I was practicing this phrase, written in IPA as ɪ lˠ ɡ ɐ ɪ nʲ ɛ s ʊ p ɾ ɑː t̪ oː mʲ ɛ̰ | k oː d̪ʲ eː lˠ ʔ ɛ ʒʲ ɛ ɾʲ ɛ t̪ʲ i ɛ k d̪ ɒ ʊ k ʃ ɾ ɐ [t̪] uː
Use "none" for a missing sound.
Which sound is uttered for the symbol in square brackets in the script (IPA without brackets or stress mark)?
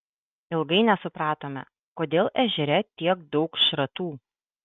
t̪